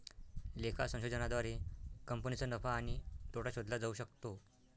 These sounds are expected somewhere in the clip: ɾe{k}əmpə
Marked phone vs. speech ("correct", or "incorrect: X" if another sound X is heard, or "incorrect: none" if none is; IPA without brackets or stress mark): correct